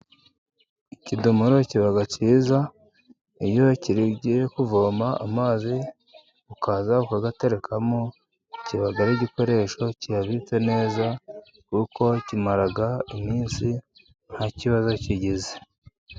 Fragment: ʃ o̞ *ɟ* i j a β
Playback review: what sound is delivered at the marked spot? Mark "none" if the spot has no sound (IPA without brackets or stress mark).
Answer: c